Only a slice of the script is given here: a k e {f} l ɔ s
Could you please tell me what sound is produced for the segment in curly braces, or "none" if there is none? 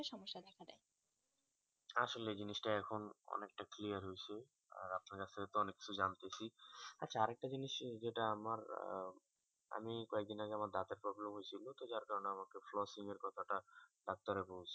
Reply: f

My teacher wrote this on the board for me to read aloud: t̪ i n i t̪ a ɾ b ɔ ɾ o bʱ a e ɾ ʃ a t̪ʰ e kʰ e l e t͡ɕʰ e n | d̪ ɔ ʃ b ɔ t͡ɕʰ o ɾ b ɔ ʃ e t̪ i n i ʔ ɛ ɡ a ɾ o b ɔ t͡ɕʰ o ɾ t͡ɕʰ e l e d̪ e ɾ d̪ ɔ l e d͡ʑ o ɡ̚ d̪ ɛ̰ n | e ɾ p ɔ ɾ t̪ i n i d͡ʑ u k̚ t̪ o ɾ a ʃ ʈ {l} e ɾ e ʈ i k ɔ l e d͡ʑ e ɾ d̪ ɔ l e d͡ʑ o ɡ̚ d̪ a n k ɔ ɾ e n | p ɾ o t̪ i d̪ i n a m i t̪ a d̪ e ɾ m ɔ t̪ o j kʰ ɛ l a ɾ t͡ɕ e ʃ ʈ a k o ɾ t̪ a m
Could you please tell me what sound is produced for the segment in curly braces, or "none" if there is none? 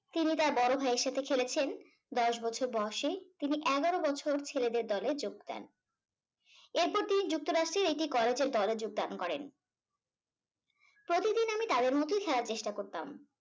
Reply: ɾ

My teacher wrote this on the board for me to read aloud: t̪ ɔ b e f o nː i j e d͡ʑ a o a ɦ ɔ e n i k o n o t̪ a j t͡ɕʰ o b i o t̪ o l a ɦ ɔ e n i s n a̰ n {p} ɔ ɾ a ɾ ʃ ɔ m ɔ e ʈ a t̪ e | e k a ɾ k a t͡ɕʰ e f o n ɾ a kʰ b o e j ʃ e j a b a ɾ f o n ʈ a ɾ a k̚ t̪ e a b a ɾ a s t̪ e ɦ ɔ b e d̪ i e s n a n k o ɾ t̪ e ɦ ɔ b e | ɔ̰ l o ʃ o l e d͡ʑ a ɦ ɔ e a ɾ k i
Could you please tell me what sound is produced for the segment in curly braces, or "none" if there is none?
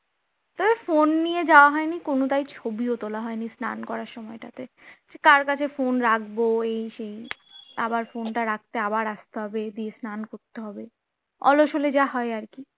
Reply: k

